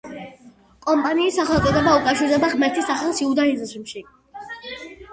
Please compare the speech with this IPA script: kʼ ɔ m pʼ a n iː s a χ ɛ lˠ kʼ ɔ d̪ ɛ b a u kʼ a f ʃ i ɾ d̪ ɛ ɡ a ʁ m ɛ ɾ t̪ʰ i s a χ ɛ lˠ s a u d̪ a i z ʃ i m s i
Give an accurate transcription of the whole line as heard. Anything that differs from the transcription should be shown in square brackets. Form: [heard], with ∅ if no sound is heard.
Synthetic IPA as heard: kʼ ɔ m pʼ a n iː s a χ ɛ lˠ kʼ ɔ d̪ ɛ b a u kʼ a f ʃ i ɾ d̪ ɛ [b] a ʁ m ɛ ɾ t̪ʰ i s a χ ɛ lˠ s [i] u d̪ a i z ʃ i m [ʃ] i